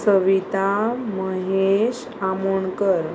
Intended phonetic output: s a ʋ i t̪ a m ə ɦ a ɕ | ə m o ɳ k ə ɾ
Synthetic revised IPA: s ə ʋ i t̪ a m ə ɦ e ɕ | a m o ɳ k ə ɾ